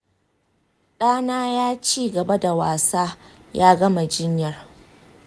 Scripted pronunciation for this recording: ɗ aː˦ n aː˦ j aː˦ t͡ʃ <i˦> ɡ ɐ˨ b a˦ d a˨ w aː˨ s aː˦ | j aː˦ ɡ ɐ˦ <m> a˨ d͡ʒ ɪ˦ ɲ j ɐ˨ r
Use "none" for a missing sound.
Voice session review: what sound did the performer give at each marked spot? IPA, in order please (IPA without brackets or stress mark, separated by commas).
iː˦, m